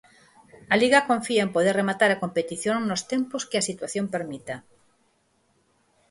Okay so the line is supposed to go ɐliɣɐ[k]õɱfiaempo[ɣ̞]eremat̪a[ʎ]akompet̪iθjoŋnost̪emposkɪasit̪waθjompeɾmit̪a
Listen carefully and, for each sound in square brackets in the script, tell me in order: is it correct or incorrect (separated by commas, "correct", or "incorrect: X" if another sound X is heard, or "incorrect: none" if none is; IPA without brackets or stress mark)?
correct, incorrect: ð̞, incorrect: ɾ